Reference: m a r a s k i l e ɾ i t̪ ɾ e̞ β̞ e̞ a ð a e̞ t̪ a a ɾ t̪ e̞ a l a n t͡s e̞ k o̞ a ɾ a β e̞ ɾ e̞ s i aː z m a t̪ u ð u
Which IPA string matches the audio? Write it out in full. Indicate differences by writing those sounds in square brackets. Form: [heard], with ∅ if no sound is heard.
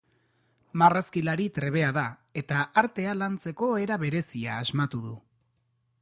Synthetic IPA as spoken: m a r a s k i l [a] ɾ i t̪ ɾ e̞ β̞ e̞ a ð a e̞ t̪ a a ɾ t̪ e̞ a l a n t͡s e̞ k o̞ [e] ɾ a β e̞ ɾ e̞ s i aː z m a t̪ u ð u